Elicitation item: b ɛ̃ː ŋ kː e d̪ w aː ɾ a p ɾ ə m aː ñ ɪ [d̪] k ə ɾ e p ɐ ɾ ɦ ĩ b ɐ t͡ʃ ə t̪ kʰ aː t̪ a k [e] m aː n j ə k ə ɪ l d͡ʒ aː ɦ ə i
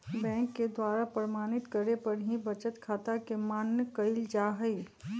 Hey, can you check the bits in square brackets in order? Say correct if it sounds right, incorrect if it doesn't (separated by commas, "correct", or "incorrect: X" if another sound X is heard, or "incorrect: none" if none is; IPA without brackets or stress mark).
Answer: incorrect: t̪, correct